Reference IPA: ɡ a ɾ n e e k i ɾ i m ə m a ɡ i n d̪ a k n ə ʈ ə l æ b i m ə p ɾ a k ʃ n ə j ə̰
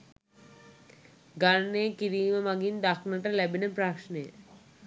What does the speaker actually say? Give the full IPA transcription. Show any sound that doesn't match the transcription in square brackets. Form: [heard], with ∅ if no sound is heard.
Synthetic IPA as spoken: ɡ a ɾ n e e k i ɾ [iː] m ə m a ɡ i n d̪ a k n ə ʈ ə l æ b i [n] ə p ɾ a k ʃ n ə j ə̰